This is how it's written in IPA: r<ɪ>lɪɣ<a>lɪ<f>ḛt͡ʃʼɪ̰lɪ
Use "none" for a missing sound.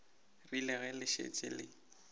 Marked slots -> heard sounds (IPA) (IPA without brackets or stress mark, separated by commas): i, ɛ, ʃ